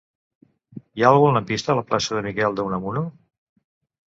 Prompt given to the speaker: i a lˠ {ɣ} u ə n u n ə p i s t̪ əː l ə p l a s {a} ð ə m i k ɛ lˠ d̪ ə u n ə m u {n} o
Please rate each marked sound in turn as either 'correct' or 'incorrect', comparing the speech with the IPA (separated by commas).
correct, incorrect, correct